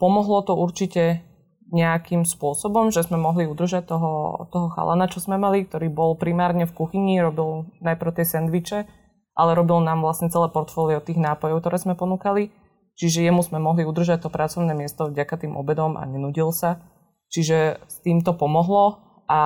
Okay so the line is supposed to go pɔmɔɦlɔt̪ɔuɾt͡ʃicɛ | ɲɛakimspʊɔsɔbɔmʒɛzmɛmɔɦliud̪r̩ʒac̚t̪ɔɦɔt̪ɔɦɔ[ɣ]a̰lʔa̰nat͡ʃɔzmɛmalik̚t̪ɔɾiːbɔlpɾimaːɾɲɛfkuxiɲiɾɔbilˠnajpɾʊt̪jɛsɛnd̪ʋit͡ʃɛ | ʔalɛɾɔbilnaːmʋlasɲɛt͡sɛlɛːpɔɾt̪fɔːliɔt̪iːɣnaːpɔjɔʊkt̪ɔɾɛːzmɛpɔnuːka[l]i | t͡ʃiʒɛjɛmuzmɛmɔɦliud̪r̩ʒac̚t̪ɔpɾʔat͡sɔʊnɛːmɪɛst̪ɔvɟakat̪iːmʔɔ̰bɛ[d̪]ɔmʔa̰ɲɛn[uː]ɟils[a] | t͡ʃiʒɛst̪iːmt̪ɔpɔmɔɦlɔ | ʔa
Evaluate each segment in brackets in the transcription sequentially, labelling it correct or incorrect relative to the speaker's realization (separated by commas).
incorrect, correct, correct, incorrect, correct